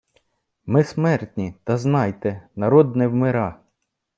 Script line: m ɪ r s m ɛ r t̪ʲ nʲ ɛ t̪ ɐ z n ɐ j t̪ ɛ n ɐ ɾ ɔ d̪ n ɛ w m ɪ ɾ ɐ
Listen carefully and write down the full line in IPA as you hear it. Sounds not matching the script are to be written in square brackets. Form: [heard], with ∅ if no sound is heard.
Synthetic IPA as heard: m ɪ [∅] s m ɛ r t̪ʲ nʲ [i] t̪ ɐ z n [ɑ] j t̪ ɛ n ɐ ɾ ɔ d̪ n ɛ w m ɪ ɾ [ɑ]

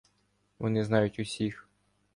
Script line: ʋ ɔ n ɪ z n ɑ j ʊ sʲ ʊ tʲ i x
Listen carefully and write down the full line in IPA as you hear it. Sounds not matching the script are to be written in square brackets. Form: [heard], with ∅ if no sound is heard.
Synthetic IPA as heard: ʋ ɔ n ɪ z n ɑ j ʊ [tʲ] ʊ [sʲ] i x

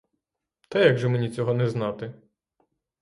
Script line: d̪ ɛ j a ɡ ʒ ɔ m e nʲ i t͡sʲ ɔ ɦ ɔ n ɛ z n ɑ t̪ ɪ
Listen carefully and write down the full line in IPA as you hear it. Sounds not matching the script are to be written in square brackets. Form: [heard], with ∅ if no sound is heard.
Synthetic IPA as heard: [t̪] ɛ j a ɡ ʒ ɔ m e nʲ i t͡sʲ ɔ ɦ ɔ n ɛ z n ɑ t̪ ɪ

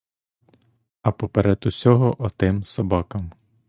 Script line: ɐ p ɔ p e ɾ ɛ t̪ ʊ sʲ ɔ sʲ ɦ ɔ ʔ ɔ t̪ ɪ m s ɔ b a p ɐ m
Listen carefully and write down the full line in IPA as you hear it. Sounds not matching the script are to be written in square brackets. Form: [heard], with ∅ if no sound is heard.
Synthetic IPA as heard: ɐ p ɔ p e ɾ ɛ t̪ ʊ sʲ ɔ [∅] ɦ ɔ ʔ ɔ t̪ ɪ m s ɔ b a [k] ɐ m

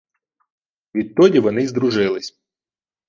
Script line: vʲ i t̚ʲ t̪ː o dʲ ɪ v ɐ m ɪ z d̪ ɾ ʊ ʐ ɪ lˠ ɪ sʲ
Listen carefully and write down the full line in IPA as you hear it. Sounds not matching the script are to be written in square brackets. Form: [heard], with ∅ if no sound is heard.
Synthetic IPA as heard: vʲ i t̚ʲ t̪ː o dʲ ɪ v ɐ [n] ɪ z d̪ ɾ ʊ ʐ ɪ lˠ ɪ sʲ

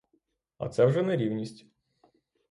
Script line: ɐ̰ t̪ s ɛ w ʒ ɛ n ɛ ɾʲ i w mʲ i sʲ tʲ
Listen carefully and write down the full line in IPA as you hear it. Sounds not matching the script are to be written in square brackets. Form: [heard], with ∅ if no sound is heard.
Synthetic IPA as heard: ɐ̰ t̪ s ɛ w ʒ ɛ n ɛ ɾʲ i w [nʲ] i sʲ tʲ

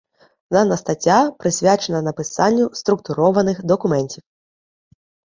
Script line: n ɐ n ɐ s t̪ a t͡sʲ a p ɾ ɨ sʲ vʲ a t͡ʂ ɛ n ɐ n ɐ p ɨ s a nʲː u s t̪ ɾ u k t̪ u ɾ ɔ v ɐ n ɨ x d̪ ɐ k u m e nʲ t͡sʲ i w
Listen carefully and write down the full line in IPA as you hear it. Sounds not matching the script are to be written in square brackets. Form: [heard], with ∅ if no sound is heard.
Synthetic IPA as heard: n ɐ n ɐ s t̪ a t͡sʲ a p ɾ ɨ sʲ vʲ a t͡ʂ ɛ n ɐ n ɐ p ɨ s a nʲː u s t̪ ɾ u k t̪ u ɾ ɔ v ɐ n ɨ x d̪ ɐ k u m [ɛ] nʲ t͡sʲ i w

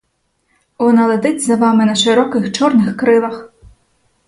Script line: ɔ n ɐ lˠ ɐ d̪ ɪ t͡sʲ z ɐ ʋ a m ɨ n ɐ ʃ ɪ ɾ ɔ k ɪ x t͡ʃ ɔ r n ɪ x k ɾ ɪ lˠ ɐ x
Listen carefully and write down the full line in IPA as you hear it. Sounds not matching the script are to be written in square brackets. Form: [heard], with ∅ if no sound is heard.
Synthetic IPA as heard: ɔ n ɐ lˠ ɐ d̪ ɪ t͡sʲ z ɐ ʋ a m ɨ n ɐ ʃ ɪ ɾ ɔ k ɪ x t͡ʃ ɔ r n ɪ x k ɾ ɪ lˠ ɐ x

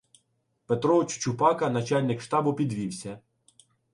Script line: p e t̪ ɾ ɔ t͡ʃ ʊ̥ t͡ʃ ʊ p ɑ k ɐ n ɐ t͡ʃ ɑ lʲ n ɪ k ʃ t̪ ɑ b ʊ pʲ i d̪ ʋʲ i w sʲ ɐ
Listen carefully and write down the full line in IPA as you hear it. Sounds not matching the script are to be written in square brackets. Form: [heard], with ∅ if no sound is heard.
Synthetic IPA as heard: p e t̪ ɾ ɔ t͡ʃ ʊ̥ t͡ʃ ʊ p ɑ k ɐ n ɐ t͡ʃ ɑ lʲ n ɪ k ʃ t̪ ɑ b ʊ pʲ i d̪ ʋʲ i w sʲ ɐ

